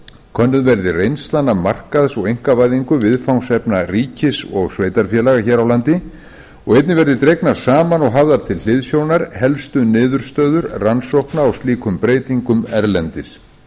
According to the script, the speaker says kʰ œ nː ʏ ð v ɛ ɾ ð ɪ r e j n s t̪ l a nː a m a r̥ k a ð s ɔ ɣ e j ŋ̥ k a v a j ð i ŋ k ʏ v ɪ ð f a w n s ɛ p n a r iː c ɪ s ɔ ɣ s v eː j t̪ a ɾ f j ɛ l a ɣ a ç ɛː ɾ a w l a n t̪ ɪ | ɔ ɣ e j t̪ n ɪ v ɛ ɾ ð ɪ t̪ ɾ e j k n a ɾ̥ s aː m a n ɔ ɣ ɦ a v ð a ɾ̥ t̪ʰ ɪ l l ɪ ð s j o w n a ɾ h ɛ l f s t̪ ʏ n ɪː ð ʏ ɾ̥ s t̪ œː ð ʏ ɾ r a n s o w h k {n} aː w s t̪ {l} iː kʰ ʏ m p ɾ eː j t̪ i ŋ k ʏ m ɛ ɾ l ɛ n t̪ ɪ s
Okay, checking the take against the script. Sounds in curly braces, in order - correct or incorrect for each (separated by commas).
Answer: correct, correct